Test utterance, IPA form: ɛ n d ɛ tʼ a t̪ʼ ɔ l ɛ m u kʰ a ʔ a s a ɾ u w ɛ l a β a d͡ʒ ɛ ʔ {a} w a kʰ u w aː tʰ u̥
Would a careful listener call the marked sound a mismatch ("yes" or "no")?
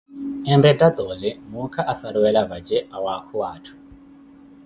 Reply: no